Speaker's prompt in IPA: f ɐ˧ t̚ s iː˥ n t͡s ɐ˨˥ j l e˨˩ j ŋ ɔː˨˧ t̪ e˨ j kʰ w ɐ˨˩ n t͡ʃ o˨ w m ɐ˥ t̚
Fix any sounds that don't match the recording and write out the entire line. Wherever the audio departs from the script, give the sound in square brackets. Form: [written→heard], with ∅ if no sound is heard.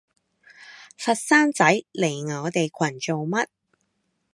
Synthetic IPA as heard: f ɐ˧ t̚ s [iː˥→aː˥] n t͡s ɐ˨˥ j l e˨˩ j ŋ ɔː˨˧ t̪ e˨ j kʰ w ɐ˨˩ n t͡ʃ o˨ w m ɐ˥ t̚